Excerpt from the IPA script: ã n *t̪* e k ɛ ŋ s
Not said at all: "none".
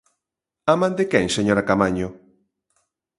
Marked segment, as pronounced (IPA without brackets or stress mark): d̪